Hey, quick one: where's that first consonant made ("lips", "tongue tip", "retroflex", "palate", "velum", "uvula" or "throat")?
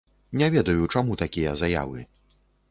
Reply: tongue tip